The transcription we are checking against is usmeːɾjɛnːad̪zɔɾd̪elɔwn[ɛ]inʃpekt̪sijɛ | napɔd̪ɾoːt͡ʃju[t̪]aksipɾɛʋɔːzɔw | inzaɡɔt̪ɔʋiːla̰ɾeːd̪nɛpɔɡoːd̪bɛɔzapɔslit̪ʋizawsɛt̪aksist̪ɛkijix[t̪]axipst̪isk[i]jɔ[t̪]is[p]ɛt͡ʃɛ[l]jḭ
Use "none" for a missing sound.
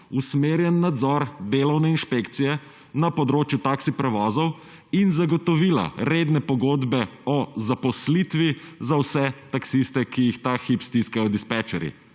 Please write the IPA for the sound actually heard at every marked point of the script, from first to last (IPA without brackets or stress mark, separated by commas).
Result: ɛ, t̪, t̪, a, d̪, p, ɾ